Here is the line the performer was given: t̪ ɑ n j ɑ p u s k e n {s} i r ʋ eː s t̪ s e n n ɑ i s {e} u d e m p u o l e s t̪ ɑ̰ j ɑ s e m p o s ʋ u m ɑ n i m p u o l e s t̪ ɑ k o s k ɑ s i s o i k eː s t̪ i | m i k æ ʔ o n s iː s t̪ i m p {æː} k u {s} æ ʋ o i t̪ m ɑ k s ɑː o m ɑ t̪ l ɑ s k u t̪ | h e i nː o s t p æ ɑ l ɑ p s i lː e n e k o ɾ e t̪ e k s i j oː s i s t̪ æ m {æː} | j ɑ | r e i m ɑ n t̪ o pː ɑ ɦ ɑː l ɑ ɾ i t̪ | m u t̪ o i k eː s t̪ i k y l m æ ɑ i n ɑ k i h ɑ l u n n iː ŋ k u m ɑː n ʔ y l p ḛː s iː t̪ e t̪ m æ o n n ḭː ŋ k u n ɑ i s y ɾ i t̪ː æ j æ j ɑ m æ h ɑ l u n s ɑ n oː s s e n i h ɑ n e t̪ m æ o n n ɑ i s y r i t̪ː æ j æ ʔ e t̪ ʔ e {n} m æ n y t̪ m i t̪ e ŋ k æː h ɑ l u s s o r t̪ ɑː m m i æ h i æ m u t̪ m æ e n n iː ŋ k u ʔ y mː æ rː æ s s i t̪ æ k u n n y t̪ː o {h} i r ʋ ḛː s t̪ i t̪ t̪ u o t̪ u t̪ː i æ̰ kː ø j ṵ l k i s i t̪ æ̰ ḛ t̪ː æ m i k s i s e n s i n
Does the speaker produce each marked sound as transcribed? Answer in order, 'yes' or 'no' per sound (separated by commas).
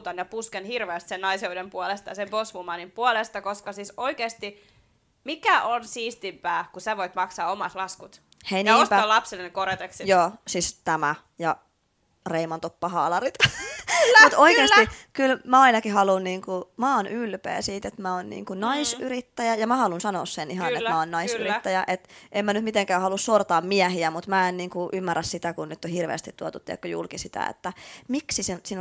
no, yes, yes, yes, no, no, yes